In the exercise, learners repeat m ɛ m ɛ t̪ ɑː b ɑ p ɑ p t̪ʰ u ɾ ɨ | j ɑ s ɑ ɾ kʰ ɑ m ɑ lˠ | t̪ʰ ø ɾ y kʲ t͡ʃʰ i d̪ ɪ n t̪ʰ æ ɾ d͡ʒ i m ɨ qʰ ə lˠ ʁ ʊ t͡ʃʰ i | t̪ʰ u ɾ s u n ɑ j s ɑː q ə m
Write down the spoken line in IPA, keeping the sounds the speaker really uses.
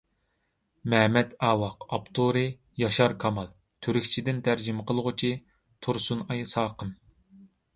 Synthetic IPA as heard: m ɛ m ɛ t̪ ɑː w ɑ q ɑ p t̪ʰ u ɾ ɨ | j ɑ ʃ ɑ ɾ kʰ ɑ m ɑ lˠ | t̪ʰ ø ɾ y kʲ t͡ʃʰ i d̪ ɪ n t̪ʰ æ ɾ d͡ʒ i m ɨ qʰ ə lˠ ʁ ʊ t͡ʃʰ i | t̪ʰ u ɾ s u n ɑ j s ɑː q ə m